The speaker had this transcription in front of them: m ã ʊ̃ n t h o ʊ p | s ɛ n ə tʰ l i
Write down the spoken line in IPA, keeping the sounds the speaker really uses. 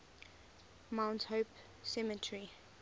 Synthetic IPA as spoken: m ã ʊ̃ n t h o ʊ p | s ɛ m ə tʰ ɹ i